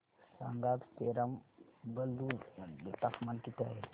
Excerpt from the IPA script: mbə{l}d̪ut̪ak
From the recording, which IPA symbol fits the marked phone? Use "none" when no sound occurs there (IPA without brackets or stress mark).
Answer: l